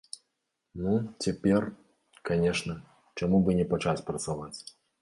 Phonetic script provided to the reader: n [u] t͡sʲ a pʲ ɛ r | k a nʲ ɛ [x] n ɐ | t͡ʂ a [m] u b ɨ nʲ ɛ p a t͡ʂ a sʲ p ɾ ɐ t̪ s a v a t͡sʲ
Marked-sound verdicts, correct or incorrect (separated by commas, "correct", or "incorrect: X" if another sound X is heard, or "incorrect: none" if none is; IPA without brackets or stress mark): correct, incorrect: ʂ, correct